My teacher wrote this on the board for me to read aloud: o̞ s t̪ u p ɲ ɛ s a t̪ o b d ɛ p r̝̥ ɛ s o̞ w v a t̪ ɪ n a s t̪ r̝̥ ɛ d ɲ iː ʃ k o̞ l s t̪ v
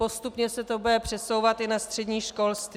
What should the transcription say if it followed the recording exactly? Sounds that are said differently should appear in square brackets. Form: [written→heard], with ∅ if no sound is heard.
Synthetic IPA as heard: o̞ s t̪ u p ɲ ɛ s [a→ɛ] t̪ o b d ɛ p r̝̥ ɛ s o̞ w v a t̪ ɪ n a s t̪ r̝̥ ɛ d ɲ iː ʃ k o̞ l s t̪ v